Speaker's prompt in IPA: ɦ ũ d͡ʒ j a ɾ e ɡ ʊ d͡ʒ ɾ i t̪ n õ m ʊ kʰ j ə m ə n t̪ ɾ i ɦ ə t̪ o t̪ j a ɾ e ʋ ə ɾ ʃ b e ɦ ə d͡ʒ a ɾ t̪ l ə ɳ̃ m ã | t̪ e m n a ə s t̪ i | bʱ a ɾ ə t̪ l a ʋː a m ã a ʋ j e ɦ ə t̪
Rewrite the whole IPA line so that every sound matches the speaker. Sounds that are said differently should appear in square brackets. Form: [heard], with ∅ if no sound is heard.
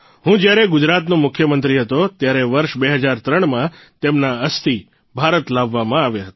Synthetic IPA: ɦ ũ d͡ʒ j a ɾ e ɡ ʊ d͡ʒ ɾ [a] t̪ n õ m ʊ kʰ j ə m ə n t̪ ɾ i ɦ ə t̪ o t̪ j a ɾ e ʋ ə ɾ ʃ b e ɦ ə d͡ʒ a ɾ t̪ [ɾ] ə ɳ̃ m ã | t̪ e m n a ə s t̪ i | bʱ a ɾ ə t̪ l a ʋː a m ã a ʋ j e ɦ ə t̪